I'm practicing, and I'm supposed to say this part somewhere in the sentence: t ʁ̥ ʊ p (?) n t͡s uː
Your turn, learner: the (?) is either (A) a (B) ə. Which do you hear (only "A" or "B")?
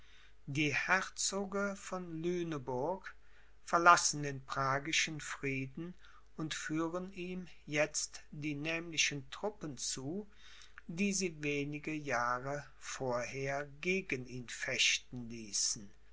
B